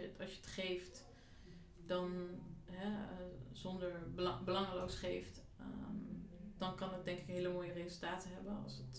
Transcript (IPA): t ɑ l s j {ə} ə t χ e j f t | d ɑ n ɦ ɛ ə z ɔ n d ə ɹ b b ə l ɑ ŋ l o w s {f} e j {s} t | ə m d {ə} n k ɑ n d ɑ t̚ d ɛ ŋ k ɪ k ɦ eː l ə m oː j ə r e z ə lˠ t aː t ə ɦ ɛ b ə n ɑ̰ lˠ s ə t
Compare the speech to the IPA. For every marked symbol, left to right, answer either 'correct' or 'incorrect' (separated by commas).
correct, incorrect, incorrect, incorrect